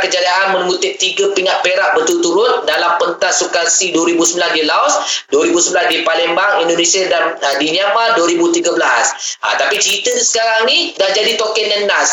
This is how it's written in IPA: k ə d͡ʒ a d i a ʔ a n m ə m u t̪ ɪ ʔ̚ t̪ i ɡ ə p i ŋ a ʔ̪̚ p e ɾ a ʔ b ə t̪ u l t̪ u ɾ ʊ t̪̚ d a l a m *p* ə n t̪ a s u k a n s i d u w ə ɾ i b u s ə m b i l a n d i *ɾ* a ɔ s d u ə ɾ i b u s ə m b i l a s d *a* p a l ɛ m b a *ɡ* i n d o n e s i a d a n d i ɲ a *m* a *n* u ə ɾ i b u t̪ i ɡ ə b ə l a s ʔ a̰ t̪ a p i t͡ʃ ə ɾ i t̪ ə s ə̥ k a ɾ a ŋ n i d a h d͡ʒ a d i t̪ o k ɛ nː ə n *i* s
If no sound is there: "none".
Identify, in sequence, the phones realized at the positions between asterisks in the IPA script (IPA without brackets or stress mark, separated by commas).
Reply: p, l, i, ŋ, m, d, a